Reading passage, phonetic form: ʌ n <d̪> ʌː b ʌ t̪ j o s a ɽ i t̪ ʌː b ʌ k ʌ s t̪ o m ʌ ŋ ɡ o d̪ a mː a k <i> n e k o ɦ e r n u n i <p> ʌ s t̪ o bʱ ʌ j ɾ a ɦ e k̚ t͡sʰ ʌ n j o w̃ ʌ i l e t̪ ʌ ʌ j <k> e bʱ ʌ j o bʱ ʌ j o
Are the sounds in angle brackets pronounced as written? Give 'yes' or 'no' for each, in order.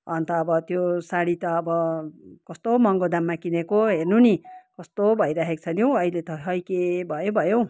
no, yes, no, yes

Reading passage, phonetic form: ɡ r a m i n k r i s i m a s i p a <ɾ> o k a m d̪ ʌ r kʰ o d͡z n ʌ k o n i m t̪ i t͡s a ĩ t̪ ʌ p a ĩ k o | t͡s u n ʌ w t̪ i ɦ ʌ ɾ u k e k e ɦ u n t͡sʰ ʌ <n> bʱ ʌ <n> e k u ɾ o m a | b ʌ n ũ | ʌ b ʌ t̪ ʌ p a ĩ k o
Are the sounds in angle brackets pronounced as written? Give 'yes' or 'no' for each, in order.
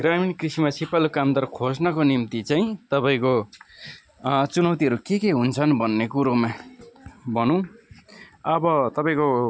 no, yes, no

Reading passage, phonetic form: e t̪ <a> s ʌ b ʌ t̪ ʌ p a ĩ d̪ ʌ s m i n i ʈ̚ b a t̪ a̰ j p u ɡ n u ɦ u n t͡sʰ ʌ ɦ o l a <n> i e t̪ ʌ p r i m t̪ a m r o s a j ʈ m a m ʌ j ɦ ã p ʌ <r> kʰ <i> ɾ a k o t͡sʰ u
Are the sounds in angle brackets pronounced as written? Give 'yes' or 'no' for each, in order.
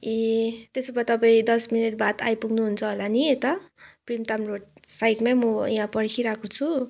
no, yes, no, yes

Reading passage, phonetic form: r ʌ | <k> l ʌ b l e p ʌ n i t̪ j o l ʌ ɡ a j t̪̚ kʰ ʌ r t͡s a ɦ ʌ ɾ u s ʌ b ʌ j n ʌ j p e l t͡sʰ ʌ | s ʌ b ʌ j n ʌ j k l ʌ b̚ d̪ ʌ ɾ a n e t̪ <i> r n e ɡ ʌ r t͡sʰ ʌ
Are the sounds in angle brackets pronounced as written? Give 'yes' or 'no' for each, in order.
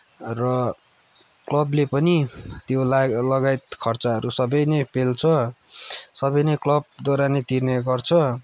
yes, yes

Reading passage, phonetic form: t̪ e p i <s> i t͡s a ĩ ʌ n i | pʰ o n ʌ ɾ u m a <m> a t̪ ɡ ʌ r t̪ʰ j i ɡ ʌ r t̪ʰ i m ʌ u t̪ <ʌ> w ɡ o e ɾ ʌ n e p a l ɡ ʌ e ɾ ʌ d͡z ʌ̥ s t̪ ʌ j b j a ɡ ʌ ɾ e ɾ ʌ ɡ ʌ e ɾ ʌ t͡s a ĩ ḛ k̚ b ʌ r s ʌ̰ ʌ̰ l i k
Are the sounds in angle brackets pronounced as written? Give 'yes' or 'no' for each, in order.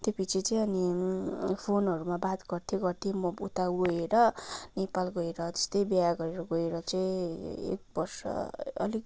no, no, no

